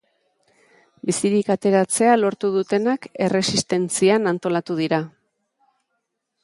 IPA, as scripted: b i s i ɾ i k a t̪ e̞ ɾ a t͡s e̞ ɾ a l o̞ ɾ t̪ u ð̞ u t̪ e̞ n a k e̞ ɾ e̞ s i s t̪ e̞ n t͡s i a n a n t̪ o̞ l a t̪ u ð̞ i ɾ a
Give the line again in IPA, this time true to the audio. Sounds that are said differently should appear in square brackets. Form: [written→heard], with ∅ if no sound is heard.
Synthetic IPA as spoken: b i s i ɾ i k a t̪ e̞ ɾ a t͡s e̞ [ɾ→∅] a l o̞ ɾ t̪ u ð̞ u t̪ e̞ n a k e̞ [ɾ→r] e̞ s i s t̪ e̞ n t͡s i a n a n t̪ o̞ l a t̪ u ð̞ i ɾ a